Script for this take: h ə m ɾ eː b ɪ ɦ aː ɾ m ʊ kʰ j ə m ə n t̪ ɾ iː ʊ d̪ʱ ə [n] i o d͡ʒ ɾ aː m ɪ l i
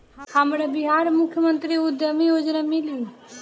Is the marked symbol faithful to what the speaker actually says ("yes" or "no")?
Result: no